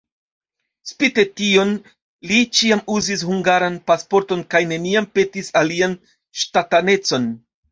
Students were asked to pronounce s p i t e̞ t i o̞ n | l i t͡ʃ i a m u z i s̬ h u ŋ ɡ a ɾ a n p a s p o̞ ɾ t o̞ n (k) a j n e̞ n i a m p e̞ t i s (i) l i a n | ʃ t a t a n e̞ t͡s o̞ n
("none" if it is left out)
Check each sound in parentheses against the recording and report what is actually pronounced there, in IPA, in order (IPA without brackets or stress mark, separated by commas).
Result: k, a